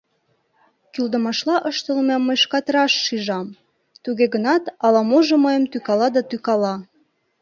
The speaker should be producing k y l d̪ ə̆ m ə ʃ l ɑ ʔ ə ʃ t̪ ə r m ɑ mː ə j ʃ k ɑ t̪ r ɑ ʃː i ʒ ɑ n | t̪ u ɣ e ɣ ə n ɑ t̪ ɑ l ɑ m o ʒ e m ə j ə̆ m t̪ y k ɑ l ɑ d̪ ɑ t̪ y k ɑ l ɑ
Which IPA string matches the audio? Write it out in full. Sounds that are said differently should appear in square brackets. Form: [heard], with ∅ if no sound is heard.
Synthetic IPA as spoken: k y l d̪ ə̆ m [ɑ] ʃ l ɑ ʔ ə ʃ t̪ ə [l] m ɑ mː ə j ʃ k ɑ t̪ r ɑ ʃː i ʒ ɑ [m] | t̪ u ɣ e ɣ ə n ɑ t̪ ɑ l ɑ m o ʒ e m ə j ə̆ m t̪ y k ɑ l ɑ d̪ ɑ t̪ y k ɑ l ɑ